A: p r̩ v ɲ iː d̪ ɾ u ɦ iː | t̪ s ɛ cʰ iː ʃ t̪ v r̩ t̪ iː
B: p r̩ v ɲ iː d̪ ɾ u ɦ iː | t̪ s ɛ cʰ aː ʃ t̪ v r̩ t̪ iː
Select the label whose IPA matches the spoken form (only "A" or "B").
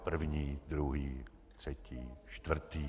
A